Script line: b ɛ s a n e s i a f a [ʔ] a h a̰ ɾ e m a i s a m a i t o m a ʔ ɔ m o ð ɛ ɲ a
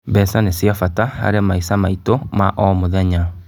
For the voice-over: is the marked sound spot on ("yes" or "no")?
no